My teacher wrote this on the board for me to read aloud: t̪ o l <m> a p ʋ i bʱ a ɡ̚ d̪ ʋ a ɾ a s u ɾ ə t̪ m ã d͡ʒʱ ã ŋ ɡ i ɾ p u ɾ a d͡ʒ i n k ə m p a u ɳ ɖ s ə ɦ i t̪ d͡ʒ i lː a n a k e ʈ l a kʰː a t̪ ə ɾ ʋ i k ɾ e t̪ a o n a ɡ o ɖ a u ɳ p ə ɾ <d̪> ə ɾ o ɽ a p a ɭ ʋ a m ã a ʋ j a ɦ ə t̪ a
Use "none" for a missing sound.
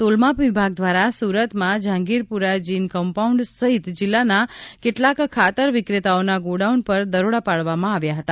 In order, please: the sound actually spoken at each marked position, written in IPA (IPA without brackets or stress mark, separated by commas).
m, d̪